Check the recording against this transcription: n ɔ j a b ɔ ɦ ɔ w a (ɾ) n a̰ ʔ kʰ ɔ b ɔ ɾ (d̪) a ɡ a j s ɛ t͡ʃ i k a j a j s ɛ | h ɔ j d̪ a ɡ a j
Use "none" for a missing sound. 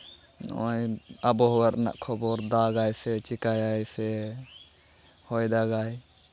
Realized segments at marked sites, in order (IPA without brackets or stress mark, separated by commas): ɾ, d̪